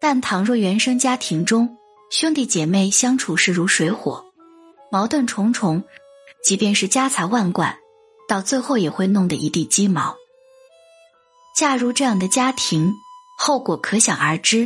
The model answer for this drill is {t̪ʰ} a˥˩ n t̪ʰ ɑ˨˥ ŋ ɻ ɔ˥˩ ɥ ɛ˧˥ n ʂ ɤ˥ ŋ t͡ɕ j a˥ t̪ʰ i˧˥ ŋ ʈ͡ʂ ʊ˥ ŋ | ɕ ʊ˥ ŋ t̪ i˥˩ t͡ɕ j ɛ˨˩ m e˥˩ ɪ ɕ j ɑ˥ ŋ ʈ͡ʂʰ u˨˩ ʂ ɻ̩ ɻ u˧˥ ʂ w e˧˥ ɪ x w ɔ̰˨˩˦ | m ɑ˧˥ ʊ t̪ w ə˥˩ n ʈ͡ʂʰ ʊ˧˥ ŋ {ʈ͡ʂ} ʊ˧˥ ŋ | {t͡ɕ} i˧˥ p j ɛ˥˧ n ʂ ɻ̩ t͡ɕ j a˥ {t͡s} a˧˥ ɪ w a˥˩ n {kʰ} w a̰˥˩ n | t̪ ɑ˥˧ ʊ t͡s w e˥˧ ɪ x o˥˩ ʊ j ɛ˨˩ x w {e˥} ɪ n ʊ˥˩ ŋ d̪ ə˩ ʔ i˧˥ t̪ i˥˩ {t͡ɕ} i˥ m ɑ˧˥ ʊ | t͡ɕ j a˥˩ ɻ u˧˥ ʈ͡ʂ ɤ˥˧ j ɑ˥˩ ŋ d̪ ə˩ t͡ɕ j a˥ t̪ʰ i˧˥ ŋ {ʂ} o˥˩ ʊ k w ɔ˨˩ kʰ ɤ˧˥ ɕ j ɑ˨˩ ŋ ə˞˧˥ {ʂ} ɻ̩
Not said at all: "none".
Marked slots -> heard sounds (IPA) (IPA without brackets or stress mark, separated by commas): t̪, ʈ͡ʂʰ, t͡ɕ, t͡sʰ, k, e˥˧, t͡ɕ, x, ʈ͡ʂ